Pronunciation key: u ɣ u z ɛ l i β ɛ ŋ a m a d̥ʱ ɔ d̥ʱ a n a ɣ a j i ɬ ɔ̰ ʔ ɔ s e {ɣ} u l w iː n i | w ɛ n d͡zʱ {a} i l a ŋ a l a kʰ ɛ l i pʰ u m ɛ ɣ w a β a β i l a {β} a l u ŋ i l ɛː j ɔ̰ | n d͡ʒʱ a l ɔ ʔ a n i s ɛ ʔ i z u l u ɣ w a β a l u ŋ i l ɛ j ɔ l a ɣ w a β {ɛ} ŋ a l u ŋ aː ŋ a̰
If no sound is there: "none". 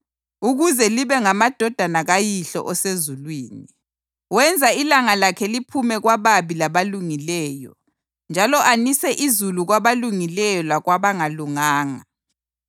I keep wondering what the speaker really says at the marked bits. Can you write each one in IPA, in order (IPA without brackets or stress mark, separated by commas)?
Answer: z, a, β, a